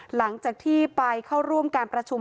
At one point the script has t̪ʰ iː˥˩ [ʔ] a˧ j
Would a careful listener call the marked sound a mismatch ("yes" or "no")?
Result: yes